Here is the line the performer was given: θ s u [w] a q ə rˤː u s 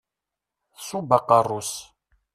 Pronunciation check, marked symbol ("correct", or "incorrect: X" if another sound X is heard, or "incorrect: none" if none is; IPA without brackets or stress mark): incorrect: b